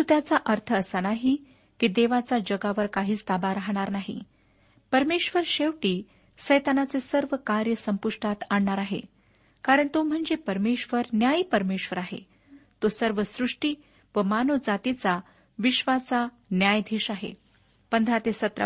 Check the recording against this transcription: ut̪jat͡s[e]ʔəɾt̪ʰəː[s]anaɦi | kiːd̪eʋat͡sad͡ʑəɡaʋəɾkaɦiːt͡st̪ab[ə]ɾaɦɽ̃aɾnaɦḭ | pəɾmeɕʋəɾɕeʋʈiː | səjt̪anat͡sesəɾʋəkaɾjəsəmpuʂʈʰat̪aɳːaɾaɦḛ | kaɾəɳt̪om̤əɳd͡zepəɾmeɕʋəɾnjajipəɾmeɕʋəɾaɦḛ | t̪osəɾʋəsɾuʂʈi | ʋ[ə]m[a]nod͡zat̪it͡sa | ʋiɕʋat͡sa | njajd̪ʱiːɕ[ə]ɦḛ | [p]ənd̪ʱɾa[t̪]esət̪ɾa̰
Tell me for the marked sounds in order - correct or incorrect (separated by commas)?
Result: incorrect, correct, incorrect, correct, correct, incorrect, correct, correct